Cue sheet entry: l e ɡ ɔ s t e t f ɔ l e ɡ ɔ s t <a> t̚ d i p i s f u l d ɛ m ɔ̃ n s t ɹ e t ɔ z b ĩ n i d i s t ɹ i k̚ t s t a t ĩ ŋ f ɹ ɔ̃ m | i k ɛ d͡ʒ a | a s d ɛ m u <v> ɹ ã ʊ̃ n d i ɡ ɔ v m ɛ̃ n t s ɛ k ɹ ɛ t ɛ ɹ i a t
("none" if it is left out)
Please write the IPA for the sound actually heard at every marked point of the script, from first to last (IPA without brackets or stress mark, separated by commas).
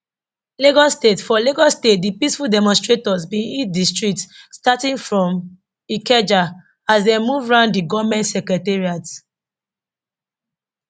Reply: e, v